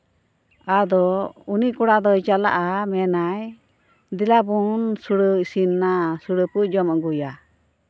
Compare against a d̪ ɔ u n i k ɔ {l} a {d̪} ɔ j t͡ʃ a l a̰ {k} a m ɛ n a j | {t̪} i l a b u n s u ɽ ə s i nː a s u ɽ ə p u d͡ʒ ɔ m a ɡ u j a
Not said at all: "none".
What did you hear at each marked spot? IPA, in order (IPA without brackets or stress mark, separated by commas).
ɽ, d̪, ʔ, d̪